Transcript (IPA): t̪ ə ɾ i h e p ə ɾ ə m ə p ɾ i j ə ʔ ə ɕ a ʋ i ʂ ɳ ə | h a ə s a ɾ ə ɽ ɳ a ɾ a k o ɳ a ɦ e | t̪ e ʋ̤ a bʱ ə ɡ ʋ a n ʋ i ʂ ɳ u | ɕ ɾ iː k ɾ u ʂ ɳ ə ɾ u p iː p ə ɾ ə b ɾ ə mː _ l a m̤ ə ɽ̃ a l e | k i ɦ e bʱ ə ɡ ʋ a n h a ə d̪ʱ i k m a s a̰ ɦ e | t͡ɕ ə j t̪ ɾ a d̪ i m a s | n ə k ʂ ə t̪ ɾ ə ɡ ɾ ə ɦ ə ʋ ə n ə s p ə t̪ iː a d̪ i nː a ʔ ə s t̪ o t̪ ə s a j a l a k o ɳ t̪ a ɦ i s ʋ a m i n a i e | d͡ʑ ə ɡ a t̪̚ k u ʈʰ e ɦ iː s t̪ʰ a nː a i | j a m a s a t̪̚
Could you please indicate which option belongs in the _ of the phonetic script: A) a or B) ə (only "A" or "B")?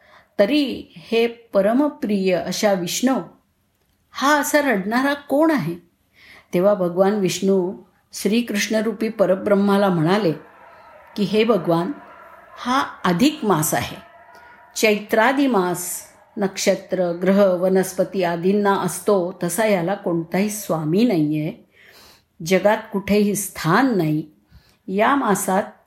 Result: A